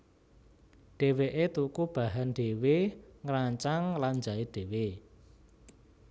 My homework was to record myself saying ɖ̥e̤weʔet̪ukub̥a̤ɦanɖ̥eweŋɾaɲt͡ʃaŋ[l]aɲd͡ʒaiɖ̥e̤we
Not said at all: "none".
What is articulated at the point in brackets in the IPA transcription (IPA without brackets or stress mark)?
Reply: l